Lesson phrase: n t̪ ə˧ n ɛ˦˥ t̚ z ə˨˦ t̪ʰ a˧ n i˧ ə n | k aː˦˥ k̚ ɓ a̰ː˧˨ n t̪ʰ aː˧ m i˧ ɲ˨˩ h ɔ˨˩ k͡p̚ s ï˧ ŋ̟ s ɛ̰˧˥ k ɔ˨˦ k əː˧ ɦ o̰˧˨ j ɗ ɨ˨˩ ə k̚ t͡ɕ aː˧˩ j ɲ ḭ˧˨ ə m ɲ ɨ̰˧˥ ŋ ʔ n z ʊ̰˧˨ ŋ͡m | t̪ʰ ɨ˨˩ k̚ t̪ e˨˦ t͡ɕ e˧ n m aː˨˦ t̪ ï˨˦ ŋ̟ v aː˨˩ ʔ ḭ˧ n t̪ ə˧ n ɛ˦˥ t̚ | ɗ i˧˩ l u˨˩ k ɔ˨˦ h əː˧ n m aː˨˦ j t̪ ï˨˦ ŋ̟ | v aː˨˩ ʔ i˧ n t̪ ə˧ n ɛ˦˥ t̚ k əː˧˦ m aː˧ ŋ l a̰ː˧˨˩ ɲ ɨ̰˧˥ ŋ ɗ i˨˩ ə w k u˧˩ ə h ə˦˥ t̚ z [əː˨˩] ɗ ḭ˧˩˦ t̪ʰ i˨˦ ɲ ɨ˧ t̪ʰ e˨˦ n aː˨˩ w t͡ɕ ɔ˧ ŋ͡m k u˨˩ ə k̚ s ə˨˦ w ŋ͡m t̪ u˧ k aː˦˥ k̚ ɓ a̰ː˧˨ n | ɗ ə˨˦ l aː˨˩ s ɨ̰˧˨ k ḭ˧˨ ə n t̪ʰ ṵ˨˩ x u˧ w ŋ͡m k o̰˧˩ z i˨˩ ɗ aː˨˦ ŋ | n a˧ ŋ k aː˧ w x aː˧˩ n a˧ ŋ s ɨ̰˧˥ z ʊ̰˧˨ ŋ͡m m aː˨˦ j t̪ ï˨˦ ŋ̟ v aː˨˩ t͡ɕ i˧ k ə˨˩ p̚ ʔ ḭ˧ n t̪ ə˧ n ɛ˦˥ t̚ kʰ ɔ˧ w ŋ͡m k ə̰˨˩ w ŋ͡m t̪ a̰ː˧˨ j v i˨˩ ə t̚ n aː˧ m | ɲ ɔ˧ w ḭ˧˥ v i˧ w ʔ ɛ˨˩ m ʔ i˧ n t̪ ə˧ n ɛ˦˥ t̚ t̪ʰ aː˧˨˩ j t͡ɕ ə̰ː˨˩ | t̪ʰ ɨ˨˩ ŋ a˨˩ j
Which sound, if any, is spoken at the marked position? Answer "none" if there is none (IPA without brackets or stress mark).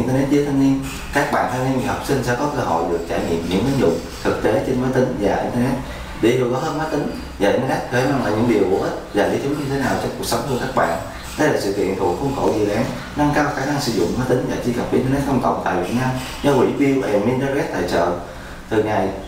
aː˨˩